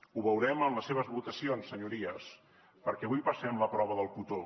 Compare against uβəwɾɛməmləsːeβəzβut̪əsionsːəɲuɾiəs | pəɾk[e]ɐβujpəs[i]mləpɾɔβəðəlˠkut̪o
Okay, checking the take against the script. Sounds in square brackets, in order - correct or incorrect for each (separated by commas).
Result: incorrect, incorrect